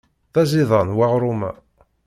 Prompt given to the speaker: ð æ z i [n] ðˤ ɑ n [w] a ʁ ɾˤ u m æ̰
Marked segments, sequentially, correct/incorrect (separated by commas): incorrect, correct